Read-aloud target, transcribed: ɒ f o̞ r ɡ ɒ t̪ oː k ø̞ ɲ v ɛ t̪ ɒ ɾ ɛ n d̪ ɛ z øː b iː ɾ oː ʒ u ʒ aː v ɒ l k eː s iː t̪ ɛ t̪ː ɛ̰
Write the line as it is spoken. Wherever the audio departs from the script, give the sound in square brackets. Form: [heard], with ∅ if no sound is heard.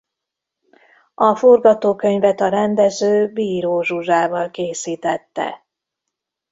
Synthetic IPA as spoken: ɒ f o̞ r ɡ ɒ t̪ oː k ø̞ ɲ v ɛ t̪ ɒ ɾ ɛ n d̪ ɛ z øː b iː ɾ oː ʒ u ʒ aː v ɒ l k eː s iː t̪ ɛ t̪ː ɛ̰

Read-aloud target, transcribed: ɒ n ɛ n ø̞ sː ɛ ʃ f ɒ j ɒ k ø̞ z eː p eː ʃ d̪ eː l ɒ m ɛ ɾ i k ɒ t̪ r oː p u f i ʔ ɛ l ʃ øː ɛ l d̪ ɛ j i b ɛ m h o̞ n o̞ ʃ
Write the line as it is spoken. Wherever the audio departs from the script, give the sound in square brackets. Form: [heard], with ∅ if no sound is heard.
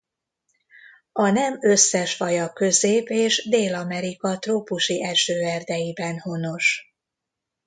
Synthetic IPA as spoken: ɒ n ɛ [m] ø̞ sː ɛ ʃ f ɒ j ɒ k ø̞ z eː p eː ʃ d̪ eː l ɒ m ɛ ɾ i k ɒ t̪ r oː p u [ʃ] i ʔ ɛ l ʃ øː ɛ [r] d̪ ɛ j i b ɛ [n] h o̞ n o̞ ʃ

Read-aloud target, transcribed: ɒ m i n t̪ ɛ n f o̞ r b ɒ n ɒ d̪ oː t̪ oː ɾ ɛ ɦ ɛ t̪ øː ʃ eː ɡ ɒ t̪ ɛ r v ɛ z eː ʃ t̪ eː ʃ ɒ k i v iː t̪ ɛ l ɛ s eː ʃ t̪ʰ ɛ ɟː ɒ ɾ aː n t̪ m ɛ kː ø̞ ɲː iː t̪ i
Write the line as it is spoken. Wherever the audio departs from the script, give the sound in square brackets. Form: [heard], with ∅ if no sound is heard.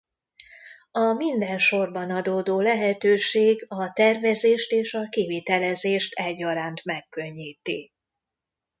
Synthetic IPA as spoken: ɒ m i n [d̪] ɛ n [ʃ] o̞ r b ɒ n ɒ d̪ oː [d̪] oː [l] ɛ ɦ ɛ t̪ øː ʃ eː ɡ ɒ t̪ ɛ r v ɛ z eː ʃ t̪ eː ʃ ɒ k i v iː t̪ ɛ l ɛ [z] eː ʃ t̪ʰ ɛ ɟː ɒ ɾ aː n t̪ m ɛ kː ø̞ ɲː iː t̪ i

